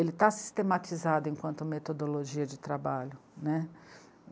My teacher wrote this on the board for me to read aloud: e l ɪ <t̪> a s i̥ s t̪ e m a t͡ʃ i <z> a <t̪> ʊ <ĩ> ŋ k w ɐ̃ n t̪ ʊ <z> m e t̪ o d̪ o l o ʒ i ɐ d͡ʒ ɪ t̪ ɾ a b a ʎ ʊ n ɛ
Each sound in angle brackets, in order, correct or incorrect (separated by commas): correct, correct, incorrect, incorrect, incorrect